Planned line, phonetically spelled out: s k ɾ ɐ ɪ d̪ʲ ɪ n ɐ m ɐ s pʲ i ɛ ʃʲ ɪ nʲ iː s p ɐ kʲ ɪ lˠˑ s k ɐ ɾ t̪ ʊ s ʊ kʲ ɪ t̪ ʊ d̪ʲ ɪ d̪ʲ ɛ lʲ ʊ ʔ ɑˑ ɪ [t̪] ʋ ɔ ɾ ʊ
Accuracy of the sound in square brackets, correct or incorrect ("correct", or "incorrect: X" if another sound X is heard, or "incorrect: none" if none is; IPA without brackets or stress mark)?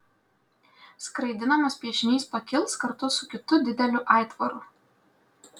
correct